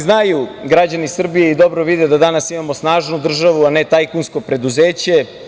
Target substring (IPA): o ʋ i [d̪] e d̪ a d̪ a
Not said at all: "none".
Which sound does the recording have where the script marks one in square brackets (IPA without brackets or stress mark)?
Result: d̪